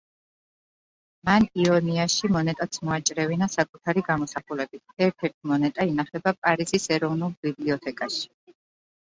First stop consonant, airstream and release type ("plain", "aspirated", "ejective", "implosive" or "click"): ejective